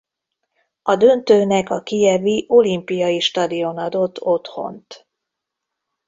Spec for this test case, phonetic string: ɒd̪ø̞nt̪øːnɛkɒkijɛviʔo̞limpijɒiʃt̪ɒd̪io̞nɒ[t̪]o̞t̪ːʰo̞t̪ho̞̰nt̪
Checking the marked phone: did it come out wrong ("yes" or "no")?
yes